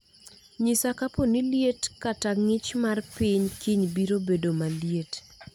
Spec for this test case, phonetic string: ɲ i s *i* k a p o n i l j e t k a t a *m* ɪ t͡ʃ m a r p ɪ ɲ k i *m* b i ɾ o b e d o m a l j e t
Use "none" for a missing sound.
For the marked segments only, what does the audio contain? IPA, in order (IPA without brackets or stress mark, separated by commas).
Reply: a, ŋ, ɲ